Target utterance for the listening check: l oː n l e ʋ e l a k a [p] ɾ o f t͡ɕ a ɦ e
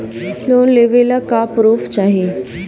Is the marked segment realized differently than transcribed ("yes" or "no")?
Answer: no